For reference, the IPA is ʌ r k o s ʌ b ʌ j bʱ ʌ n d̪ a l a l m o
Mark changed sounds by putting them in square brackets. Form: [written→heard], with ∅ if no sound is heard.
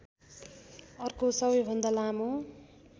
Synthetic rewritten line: ʌ r k o s ʌ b ʌ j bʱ ʌ n d̪ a l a [l→∅] m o

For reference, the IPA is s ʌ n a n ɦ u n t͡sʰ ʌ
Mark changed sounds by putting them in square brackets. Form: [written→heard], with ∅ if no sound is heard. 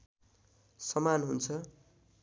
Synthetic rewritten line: s ʌ [n→m] a n ɦ u n t͡sʰ ʌ

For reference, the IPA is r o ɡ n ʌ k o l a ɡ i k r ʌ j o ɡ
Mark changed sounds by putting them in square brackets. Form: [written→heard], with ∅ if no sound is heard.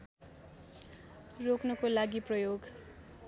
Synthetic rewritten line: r o [ɡ→k] n ʌ k o l a ɡ i [k→p] r ʌ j o ɡ

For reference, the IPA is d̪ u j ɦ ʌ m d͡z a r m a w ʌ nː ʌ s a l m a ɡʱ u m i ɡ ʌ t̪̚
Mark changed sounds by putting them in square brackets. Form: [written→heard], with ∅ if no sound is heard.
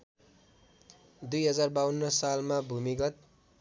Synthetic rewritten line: d̪ u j ɦ ʌ [m→∅] d͡z a r [m→b] a w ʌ nː ʌ s a l m a [ɡʱ→bʱ] u m i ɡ ʌ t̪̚

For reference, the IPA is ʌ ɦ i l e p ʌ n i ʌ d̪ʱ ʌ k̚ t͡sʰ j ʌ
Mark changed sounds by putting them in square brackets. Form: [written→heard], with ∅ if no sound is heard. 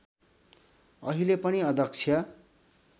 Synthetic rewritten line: ʌ ɦ i l e p ʌ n i ʌ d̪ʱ ʌ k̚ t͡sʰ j ʌ

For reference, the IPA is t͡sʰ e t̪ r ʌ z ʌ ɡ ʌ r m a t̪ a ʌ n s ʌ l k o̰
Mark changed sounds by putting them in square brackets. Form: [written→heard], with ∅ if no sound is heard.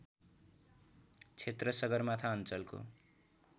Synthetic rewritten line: t͡sʰ e t̪ r ʌ [z→s] ʌ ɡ ʌ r m a [t̪→t̪ʰ] a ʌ n [s→t͡s] ʌ l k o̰

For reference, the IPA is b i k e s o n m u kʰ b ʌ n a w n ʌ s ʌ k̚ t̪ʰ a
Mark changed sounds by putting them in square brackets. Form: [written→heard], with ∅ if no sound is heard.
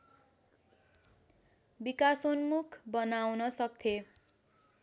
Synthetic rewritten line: b i k [e→a] s o n m u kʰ b ʌ n a w n ʌ s ʌ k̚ t̪ʰ [a→e]

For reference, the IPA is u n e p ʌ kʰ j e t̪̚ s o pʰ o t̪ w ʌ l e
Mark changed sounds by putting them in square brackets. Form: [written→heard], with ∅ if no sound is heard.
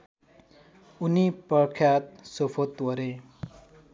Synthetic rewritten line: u n [e→i] p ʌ kʰ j [e→a] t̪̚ s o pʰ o t̪ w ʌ [l→ɾ] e

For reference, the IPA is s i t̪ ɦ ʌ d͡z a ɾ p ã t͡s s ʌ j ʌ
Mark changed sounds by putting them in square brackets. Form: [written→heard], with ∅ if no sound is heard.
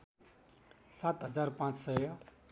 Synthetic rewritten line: s [i→a] t̪ ɦ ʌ d͡z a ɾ p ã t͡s s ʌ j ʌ

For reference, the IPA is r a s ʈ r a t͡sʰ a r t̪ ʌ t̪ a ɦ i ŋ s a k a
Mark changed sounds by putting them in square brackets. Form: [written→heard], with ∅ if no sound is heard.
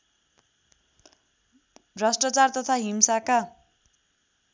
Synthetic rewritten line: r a s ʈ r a [t͡sʰ→t͡s] a r t̪ ʌ [t̪→t̪ʰ] a ɦ i [ŋ→m] s a k a

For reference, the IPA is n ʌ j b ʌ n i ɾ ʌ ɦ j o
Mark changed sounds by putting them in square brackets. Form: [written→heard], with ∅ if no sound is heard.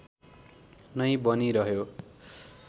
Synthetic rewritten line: n ʌ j b ʌ n i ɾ ʌ ɦ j o

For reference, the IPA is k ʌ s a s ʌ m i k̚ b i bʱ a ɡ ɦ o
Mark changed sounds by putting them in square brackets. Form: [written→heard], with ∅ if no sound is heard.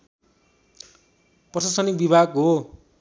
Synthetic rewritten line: [k→p] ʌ s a s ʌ [m→n] i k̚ b i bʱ a ɡ ɦ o

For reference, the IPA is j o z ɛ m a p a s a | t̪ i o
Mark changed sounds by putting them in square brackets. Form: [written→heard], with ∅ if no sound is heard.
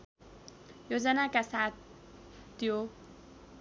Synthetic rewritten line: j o z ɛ [m→n] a [p→k] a s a | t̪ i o

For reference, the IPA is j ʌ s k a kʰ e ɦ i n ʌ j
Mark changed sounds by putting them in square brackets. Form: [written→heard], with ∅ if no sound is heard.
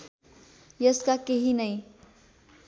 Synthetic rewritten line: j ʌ s k a [kʰ→k] e ɦ i n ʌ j

